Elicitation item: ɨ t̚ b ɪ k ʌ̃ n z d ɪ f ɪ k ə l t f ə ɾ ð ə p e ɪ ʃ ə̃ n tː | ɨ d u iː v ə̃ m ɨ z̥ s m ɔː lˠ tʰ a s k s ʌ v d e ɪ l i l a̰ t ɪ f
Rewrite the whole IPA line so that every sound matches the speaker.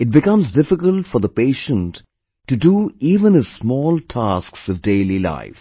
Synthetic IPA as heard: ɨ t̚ b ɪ k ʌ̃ m z d ɪ f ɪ k ə l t f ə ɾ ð ə p e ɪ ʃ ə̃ n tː | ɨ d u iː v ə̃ n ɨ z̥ s m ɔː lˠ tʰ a s k s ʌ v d e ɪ l i l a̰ ɪ f